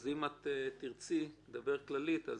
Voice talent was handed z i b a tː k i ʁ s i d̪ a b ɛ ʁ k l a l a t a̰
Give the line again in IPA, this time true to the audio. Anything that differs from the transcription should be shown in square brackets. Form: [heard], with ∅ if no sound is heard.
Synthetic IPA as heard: z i [m] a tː [t] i ʁ [t͡s] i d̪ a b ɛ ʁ k l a l [i] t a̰